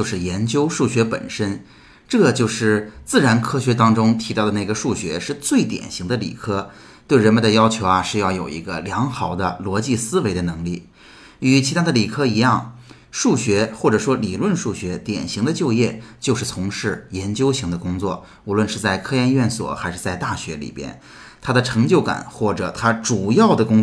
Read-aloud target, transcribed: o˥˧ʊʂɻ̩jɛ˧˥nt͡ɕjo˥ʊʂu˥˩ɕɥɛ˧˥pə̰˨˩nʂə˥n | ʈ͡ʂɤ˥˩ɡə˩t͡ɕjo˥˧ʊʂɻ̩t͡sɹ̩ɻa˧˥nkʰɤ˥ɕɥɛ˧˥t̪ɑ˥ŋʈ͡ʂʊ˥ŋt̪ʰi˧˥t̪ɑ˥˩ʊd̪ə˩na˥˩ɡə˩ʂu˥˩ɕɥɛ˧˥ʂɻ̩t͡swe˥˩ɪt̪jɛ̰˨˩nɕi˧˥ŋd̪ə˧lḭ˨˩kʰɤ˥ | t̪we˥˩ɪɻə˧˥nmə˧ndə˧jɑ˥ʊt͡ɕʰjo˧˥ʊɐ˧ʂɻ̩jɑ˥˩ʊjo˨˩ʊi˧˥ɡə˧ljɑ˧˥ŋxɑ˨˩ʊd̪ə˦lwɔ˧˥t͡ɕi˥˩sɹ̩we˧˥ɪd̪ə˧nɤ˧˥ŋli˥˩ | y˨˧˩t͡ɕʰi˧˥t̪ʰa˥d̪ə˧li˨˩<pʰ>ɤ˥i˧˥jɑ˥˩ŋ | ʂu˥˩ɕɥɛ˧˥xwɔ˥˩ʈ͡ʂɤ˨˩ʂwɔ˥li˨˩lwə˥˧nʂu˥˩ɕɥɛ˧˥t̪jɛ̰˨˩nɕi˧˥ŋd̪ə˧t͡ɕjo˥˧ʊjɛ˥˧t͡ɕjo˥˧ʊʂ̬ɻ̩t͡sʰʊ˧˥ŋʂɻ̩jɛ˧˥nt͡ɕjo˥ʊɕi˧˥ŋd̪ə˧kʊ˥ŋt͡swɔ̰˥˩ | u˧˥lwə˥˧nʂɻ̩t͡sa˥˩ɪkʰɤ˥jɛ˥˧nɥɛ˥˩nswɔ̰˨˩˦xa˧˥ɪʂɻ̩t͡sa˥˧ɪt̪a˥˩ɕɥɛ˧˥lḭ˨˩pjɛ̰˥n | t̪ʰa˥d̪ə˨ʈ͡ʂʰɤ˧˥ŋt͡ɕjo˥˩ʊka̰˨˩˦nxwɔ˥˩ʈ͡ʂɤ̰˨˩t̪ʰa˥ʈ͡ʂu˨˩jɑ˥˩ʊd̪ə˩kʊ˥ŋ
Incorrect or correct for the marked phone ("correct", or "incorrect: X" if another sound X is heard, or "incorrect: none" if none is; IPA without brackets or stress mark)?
incorrect: kʰ